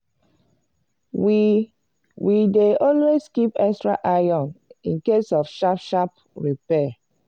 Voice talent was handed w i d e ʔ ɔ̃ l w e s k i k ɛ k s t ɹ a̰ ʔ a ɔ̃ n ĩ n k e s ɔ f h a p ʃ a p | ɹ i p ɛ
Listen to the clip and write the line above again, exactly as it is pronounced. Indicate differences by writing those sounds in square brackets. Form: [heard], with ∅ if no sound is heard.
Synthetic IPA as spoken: w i d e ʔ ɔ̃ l w e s k i [p] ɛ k s t ɹ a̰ ʔ a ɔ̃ n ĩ n k e s ɔ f [ʃ] a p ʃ a p | ɹ i p ɛ